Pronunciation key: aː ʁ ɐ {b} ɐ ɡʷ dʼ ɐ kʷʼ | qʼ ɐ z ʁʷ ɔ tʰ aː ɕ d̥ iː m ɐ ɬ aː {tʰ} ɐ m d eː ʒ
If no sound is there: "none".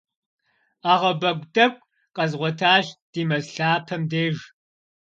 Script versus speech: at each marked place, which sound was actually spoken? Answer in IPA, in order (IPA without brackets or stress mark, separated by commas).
b, pʰ